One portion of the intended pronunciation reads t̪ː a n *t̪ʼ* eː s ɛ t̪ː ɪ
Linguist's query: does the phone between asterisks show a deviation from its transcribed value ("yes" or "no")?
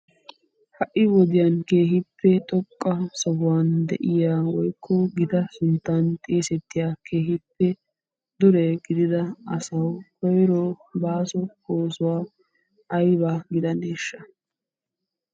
no